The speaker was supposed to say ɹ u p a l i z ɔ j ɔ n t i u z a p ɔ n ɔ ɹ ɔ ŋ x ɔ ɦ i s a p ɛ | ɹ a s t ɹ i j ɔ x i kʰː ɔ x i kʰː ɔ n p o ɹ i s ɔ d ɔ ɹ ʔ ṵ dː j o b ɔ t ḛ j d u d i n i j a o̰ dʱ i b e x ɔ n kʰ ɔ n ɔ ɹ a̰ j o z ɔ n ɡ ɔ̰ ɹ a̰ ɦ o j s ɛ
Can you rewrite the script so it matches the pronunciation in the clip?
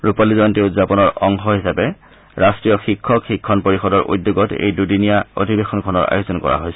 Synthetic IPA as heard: ɹ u p a l i z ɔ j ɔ n t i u z a p ɔ n ɔ ɹ ɔ ŋ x ɔ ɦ i s a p ɛ | ɹ a s t ɹ i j ɔ x i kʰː ɔ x i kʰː ɔ n p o ɹ i x ɔ d ɔ ɹ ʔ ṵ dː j o ɡ ɔ t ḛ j d u d i n i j a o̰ dʱ i b e x ɔ n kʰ ɔ n ɔ ɹ a̰ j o z ɔ n k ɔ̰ ɹ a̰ ɦ o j s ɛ